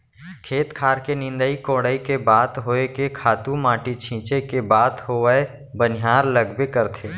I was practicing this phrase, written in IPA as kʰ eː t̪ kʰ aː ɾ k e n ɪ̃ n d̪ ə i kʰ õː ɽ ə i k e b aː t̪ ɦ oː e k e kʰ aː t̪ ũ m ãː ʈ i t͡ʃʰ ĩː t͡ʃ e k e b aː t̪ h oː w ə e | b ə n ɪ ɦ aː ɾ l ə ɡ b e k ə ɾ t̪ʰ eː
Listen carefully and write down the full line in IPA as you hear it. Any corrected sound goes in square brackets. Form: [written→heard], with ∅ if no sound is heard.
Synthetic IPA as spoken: kʰ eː t̪ kʰ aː ɾ k e n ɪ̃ n d̪ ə i [kʰ→k] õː ɽ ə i k e b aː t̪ ɦ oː e k e kʰ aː t̪ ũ m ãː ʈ i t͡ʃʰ ĩː t͡ʃ e k e b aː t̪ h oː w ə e | b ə n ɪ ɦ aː ɾ l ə ɡ b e k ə ɾ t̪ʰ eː